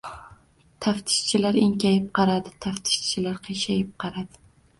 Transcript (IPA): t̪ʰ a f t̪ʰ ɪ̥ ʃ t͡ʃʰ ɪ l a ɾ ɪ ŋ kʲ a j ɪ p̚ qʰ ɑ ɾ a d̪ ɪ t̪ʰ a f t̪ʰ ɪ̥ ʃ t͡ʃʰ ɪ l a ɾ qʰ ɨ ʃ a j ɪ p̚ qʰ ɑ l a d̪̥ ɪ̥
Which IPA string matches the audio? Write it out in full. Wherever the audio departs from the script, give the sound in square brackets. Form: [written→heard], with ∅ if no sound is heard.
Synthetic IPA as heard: t̪ʰ a f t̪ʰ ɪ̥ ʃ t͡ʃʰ ɪ l a ɾ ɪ ŋ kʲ a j ɪ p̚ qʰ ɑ ɾ a d̪ ɪ t̪ʰ a f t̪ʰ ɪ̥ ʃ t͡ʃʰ ɪ l a ɾ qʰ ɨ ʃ a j ɪ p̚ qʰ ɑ [l→ɾ] a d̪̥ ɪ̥